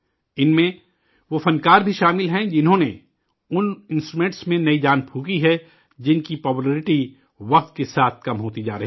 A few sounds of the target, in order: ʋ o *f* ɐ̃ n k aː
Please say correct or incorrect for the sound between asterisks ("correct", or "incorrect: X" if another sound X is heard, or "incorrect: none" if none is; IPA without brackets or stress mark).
correct